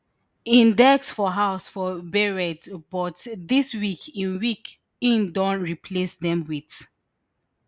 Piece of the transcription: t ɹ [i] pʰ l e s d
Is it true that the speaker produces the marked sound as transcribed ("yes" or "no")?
yes